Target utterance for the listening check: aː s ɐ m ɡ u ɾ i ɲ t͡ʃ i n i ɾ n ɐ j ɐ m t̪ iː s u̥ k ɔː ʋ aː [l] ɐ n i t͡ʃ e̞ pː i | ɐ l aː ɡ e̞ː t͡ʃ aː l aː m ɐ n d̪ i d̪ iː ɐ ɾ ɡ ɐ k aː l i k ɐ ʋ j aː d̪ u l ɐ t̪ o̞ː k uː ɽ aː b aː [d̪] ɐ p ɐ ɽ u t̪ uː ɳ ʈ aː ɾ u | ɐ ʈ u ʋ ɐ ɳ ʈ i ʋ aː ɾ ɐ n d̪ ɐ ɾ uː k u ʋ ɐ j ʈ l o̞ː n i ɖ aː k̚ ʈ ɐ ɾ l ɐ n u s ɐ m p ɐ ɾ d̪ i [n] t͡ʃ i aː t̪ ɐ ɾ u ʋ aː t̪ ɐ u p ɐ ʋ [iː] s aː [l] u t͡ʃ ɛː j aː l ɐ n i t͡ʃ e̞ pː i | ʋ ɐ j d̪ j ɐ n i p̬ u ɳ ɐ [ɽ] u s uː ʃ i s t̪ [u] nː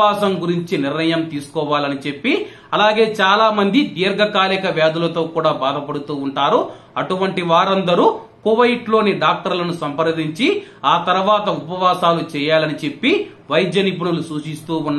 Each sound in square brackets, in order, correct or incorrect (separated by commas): correct, correct, incorrect, incorrect, correct, incorrect, incorrect